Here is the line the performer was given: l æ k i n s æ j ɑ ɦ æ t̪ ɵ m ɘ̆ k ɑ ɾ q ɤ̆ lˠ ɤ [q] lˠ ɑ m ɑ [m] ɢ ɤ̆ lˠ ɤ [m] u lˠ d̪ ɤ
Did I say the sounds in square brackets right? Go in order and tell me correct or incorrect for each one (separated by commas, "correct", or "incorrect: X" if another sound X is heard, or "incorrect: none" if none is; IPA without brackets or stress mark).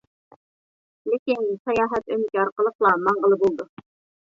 correct, incorrect: ɴ, incorrect: b